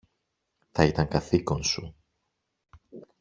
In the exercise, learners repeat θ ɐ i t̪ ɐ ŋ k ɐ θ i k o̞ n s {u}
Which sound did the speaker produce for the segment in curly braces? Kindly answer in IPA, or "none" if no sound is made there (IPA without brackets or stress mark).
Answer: u